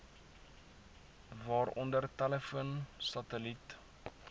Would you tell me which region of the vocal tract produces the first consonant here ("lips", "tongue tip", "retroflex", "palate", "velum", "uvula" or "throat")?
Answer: lips